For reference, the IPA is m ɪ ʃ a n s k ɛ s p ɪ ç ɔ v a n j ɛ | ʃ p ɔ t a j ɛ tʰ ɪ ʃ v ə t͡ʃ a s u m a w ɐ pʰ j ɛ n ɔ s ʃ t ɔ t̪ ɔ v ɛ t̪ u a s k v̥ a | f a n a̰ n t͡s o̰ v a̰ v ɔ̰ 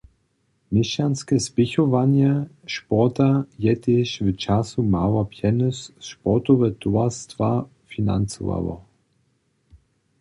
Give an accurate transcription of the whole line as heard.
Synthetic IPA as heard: m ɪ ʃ a n s k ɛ s p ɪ ç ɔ v a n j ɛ | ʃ p ɔ t a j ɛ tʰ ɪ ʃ v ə t͡ʃ a s u m a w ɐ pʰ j ɛ n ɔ s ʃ p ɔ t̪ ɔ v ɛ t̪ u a s t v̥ a | f i n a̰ n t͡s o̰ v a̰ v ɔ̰